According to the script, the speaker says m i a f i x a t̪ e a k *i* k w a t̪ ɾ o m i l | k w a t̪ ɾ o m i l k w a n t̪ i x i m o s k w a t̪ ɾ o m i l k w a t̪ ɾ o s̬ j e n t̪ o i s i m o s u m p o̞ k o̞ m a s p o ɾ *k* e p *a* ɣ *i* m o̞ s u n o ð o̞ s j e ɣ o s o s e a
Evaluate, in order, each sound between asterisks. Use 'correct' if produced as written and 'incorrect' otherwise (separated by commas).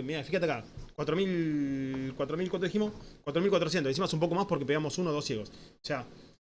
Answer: incorrect, correct, incorrect, incorrect